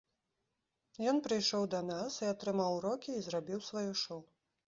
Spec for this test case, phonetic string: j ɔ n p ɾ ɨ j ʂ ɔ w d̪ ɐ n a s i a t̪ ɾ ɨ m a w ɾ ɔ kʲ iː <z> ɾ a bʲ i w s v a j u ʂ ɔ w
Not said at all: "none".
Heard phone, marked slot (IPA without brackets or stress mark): z